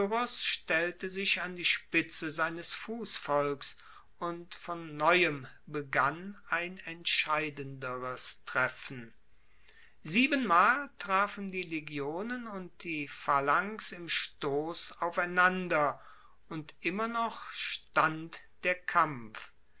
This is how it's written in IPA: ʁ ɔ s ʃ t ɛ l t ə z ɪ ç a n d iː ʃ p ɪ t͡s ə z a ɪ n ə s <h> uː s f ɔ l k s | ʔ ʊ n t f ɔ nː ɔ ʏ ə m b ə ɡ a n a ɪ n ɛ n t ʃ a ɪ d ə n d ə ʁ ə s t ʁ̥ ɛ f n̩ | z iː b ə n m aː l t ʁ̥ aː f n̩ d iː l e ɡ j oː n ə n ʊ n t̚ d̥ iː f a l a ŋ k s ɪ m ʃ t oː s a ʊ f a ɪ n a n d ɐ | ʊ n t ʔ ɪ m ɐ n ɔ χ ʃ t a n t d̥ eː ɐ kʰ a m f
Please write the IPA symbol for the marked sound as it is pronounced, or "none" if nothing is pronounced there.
f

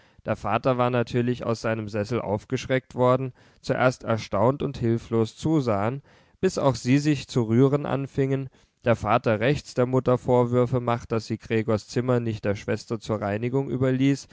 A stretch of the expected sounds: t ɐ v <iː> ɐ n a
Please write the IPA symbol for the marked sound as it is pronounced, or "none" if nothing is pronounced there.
aː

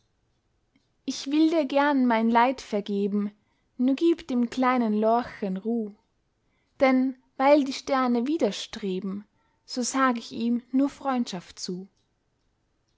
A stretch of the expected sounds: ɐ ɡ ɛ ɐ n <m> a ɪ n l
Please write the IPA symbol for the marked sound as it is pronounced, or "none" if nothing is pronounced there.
m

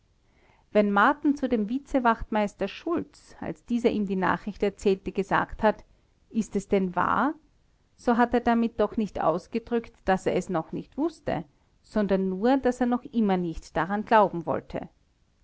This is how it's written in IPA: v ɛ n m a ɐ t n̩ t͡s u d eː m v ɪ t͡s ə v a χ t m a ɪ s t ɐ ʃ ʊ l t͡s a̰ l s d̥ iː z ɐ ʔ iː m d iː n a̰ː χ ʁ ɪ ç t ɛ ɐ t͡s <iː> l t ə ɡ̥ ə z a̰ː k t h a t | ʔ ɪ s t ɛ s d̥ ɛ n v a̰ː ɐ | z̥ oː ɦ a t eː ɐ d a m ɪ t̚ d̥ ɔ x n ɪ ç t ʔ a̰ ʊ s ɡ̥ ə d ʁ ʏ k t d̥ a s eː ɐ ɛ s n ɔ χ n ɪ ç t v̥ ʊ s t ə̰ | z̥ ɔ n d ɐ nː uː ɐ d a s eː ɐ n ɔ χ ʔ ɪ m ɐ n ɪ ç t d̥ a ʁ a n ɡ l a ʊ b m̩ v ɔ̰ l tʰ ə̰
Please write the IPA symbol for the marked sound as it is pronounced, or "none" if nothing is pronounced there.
ɛː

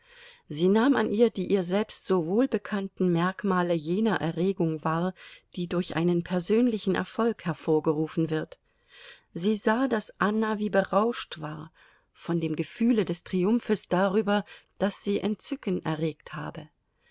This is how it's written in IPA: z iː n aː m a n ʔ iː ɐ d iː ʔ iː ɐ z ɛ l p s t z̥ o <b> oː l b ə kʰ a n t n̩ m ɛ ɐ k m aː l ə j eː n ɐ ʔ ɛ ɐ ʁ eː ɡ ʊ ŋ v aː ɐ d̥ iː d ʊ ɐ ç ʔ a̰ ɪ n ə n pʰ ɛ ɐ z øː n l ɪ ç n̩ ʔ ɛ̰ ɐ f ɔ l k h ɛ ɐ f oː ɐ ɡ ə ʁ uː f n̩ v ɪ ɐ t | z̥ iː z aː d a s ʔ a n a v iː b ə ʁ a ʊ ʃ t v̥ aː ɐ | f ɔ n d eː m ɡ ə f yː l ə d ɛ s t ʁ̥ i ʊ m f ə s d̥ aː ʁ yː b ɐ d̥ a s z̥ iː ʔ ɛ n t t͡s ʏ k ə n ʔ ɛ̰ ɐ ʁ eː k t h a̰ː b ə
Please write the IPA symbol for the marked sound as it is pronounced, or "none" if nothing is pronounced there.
v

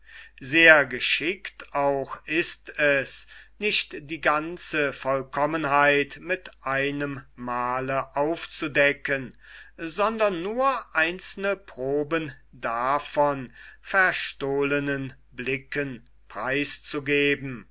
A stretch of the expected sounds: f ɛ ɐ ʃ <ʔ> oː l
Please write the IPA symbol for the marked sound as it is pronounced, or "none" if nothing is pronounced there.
t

